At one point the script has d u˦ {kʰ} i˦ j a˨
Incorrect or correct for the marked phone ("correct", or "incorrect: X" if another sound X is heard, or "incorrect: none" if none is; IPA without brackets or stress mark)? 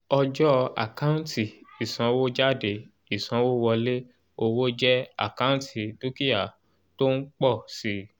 incorrect: k